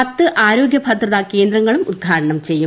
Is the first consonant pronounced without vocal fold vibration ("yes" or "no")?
yes